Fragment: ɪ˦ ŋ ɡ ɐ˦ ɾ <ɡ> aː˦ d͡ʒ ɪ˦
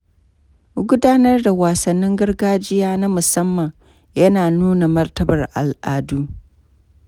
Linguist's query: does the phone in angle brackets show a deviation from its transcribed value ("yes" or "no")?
no